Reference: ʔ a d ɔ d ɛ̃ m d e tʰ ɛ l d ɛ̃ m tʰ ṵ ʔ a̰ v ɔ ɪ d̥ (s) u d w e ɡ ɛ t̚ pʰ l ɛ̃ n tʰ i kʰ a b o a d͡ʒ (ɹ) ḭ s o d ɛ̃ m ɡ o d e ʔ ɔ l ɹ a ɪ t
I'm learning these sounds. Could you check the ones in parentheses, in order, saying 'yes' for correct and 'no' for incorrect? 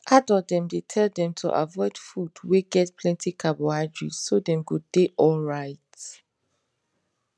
no, yes

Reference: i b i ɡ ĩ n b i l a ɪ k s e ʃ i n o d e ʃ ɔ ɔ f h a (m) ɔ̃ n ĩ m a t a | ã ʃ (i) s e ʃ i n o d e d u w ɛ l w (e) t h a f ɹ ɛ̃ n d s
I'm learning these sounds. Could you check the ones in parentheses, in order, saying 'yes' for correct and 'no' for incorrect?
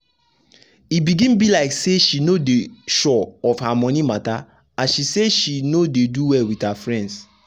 yes, yes, no

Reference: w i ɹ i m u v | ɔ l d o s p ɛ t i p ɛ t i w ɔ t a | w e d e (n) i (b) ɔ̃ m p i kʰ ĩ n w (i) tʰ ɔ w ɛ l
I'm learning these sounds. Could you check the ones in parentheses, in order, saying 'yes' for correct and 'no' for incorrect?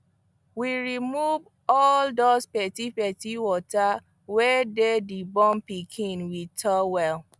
no, yes, yes

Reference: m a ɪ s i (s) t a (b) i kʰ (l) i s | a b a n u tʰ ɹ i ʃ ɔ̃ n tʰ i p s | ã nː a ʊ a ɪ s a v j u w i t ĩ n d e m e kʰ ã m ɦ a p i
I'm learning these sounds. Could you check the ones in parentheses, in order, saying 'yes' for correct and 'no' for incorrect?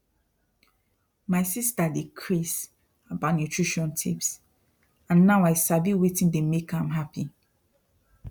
yes, no, no

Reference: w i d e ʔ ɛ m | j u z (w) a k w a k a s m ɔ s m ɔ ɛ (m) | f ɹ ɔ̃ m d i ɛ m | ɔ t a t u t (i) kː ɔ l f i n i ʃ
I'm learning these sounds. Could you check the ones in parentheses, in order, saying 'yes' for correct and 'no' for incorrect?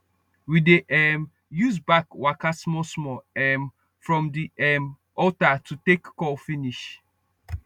no, yes, no

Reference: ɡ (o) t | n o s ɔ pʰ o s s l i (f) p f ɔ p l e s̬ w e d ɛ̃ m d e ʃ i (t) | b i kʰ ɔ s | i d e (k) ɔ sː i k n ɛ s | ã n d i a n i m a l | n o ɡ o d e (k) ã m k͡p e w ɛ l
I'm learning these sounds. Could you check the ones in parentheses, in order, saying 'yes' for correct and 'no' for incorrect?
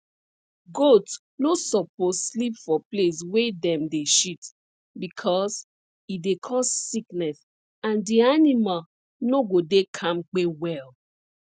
yes, no, yes, no, no

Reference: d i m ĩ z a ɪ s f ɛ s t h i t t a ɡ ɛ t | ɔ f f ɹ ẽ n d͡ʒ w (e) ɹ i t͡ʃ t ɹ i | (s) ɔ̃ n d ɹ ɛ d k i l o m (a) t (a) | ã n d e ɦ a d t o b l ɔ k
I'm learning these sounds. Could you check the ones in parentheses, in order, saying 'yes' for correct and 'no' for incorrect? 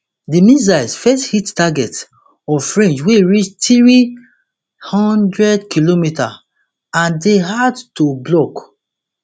yes, no, no, yes

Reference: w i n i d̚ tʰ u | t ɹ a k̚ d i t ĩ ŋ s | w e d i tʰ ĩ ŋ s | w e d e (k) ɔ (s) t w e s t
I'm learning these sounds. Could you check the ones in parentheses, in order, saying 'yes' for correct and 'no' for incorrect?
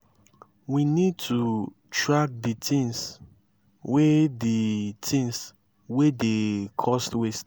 no, yes

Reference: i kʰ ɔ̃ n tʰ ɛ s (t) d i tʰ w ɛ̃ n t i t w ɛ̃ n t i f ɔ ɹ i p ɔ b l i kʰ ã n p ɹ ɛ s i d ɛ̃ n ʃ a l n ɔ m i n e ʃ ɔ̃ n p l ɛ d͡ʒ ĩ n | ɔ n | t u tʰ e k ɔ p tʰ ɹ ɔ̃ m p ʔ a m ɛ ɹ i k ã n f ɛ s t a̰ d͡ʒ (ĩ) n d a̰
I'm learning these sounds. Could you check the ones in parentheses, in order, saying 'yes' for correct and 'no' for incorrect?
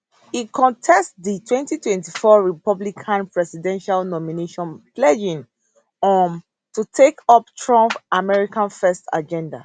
yes, no

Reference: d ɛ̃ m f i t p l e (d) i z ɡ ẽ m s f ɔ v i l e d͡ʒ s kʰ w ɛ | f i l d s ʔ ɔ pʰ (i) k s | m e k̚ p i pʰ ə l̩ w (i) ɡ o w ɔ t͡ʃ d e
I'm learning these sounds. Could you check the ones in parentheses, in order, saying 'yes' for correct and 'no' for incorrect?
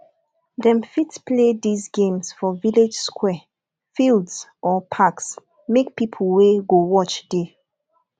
yes, no, no

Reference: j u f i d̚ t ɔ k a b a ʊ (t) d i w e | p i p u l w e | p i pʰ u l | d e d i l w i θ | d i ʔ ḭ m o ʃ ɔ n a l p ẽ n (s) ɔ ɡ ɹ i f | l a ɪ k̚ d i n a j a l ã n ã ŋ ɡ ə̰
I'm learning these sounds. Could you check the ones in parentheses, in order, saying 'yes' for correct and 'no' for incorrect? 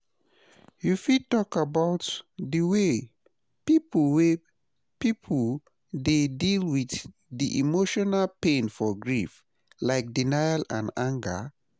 yes, no

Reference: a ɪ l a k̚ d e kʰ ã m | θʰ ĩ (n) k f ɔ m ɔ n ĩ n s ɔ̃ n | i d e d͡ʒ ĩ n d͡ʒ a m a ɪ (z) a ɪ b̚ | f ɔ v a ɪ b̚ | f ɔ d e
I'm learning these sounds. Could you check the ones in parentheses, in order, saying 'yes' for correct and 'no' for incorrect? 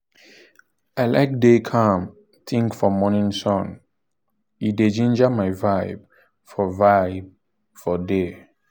no, no

